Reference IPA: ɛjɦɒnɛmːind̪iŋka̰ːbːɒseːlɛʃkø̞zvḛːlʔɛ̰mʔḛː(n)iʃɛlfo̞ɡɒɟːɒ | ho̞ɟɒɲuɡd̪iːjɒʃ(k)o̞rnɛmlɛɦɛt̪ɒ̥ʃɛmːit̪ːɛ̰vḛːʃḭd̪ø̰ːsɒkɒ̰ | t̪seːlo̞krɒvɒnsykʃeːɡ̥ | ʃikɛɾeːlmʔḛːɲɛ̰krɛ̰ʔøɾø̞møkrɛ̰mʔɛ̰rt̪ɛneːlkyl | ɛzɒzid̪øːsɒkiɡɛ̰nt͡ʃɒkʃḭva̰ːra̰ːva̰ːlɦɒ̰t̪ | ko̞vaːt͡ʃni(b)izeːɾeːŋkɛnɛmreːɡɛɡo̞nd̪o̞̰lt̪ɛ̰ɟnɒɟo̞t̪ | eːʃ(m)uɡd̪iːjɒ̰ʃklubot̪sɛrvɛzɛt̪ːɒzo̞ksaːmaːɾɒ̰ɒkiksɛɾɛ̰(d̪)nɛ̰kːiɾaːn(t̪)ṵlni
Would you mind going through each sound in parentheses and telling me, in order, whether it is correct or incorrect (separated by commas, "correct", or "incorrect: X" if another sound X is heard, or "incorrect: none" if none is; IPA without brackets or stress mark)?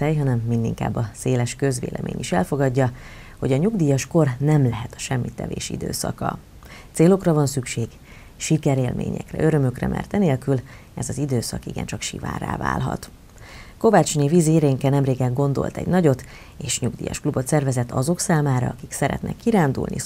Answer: incorrect: ɲ, correct, incorrect: v, incorrect: ɲ, incorrect: t̪, incorrect: d̪